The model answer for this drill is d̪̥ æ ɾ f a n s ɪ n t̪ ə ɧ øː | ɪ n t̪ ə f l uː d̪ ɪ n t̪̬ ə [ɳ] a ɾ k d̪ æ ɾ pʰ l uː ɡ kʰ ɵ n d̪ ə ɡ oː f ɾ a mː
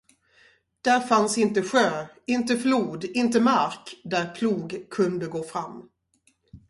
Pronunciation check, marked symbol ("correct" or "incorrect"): incorrect